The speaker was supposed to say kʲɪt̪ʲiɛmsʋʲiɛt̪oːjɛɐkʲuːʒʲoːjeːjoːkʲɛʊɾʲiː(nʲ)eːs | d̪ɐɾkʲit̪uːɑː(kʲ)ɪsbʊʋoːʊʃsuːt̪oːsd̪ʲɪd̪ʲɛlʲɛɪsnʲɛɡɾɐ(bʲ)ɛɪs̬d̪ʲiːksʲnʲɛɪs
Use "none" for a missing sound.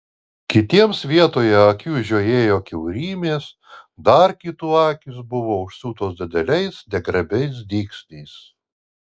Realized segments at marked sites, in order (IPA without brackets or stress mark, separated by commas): mʲ, kʲ, bʲ